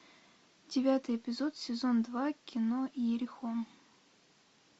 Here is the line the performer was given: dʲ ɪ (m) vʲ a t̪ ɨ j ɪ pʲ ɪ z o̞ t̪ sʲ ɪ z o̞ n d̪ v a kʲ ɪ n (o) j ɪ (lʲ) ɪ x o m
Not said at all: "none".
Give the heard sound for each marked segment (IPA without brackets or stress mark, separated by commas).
none, o, ɾʲ